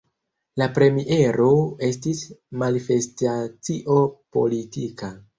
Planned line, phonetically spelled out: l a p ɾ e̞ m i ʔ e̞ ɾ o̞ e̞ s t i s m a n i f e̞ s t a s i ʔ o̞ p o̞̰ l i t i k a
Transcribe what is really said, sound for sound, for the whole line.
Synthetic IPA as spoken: l a p ɾ e̞ m i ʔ e̞ ɾ o̞ e̞ s t i s m a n i f e̞ s t a t͡s i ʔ o̞ p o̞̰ l i t i k a